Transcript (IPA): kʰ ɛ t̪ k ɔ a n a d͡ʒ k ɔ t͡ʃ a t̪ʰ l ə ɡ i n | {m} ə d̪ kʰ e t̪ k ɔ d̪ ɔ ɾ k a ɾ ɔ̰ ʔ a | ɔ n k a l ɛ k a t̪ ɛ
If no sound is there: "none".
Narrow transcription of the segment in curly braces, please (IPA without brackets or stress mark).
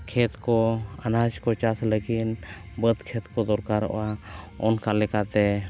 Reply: b